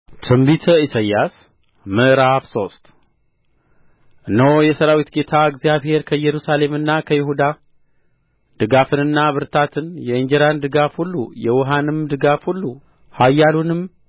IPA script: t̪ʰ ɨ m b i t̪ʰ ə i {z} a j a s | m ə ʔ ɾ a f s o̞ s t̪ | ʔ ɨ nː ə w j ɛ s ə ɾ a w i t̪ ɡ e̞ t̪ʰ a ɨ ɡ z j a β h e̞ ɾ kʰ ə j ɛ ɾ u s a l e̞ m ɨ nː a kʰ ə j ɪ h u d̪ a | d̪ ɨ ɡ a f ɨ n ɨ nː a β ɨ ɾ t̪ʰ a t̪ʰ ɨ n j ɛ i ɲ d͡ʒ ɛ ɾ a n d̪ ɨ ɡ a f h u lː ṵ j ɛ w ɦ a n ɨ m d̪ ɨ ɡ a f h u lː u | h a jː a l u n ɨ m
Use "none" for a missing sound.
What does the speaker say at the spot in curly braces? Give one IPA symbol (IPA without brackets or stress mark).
s